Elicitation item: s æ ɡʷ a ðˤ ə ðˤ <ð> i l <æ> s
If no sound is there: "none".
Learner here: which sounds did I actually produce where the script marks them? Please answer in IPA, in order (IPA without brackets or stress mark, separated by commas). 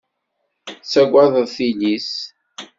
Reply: θ, i